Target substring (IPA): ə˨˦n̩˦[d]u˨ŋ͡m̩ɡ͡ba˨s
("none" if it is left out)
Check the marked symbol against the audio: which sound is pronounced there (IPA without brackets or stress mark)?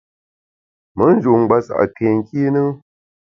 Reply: d͡ʒ